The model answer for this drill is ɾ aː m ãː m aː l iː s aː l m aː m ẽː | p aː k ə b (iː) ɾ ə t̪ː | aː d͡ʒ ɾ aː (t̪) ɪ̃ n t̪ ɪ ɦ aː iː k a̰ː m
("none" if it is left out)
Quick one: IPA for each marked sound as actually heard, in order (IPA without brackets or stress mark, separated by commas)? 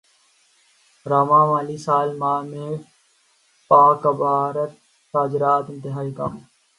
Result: aː, t̪